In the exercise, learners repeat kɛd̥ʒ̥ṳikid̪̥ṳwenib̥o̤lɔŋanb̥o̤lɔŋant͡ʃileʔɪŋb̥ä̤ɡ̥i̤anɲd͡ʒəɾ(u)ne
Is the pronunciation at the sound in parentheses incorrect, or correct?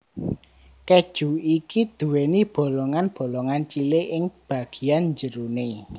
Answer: correct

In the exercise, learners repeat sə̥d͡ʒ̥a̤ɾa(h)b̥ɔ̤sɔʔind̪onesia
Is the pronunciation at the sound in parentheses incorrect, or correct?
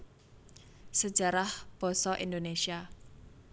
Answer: correct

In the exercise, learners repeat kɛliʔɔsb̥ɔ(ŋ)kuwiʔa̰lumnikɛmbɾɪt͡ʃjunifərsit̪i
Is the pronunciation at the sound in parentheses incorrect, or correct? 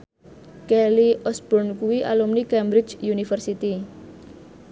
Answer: incorrect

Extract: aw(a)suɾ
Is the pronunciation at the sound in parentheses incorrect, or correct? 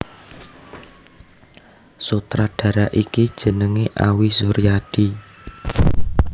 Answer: incorrect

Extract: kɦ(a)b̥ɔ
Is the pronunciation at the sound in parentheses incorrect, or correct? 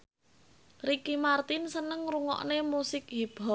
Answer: incorrect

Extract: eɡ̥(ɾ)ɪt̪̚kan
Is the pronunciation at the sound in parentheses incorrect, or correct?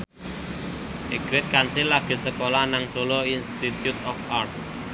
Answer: correct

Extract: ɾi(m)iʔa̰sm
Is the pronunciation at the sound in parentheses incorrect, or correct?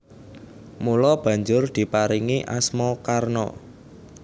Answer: incorrect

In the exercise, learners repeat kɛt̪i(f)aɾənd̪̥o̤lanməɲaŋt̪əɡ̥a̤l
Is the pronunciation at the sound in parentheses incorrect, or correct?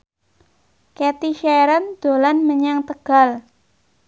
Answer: incorrect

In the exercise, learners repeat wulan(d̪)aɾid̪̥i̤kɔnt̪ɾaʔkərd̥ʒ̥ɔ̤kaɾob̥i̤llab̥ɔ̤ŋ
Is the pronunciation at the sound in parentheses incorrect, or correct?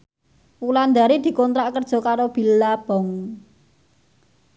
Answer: correct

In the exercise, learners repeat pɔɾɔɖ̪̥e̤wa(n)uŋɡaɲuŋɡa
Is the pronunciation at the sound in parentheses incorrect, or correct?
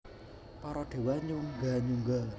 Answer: incorrect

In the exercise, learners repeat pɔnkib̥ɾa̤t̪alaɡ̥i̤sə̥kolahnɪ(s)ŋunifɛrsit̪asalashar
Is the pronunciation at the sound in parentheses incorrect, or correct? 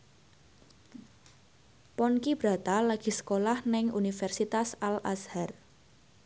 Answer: incorrect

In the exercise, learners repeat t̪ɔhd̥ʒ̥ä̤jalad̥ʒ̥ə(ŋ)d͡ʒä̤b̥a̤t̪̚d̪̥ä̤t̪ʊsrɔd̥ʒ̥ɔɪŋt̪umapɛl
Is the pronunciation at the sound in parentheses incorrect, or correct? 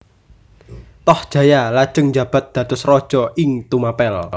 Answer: correct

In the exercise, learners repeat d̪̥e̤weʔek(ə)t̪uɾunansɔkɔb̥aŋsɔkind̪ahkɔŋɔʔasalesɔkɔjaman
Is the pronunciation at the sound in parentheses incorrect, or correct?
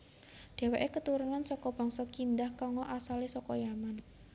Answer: correct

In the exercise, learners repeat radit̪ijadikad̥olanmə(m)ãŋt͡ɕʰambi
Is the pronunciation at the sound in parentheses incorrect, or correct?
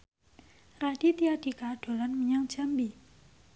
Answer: incorrect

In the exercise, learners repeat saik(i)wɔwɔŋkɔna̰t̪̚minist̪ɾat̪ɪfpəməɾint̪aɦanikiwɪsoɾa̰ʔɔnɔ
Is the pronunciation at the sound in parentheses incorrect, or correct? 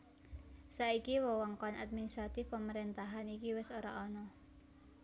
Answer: correct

